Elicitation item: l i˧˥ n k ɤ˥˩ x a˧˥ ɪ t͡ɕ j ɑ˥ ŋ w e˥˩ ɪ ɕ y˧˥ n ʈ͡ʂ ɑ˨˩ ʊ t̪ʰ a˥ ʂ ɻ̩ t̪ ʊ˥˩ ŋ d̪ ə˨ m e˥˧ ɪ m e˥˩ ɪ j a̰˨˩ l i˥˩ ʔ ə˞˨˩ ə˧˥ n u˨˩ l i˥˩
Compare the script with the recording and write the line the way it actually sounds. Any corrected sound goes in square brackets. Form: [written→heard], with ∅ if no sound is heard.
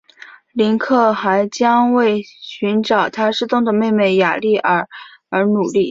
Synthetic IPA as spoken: l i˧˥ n [k→kʰ] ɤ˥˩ x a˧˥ ɪ t͡ɕ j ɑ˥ ŋ w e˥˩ ɪ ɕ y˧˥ n ʈ͡ʂ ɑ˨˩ ʊ t̪ʰ a˥ ʂ ɻ̩ t̪ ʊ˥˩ ŋ d̪ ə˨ m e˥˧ ɪ m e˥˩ ɪ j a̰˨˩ l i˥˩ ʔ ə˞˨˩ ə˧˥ n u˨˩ l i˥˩